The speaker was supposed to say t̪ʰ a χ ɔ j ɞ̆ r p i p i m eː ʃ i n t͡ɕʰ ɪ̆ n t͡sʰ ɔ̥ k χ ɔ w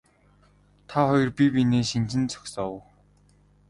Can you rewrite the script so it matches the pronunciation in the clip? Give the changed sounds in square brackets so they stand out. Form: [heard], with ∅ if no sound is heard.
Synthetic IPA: t̪ʰ a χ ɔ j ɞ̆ r p i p i [n] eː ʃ i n [t͡ɕ] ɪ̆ n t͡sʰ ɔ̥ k [s] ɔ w